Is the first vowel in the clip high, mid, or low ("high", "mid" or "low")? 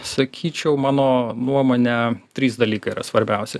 low